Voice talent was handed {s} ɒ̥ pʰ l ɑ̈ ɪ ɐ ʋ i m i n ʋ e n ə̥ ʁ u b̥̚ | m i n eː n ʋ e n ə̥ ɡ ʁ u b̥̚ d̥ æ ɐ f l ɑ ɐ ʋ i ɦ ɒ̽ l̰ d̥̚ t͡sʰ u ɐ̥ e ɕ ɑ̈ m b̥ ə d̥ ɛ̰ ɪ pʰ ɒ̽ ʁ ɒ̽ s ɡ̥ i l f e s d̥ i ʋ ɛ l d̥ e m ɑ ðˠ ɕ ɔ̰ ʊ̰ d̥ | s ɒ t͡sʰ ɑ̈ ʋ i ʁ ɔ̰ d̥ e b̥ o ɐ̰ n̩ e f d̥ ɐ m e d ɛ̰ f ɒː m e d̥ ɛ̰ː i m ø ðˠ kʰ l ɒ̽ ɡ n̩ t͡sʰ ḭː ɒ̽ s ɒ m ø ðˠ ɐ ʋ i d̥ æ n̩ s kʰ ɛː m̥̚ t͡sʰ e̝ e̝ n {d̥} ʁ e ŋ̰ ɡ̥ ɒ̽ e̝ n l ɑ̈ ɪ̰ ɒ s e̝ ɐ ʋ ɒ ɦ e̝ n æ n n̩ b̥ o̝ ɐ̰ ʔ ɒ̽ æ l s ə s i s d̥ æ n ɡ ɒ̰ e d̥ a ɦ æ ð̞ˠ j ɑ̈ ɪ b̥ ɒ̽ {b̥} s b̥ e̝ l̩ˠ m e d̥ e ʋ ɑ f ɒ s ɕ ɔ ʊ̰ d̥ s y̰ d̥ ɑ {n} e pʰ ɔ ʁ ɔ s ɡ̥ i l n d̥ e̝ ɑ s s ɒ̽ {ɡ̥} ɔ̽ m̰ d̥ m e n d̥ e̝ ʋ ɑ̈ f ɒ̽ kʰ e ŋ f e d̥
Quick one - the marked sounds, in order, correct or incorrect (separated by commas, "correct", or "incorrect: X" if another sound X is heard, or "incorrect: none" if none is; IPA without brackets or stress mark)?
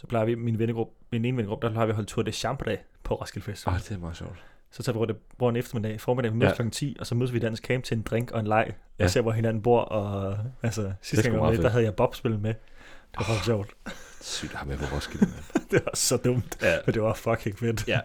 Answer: correct, correct, correct, incorrect: m, incorrect: d̥